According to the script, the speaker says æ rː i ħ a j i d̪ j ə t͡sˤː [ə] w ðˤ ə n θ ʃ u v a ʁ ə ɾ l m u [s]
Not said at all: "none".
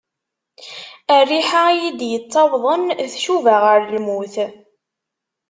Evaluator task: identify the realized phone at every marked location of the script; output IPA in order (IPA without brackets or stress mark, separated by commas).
ɑ, θ